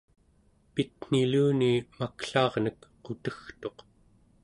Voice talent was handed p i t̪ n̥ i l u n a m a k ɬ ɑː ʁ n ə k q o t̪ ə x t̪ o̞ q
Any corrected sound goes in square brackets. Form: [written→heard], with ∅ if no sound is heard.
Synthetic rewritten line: p i t̪ n̥ i l [u→uː] n [a→i] m a k ɬ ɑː ʁ n ə k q o t̪ ə x t̪ o̞ q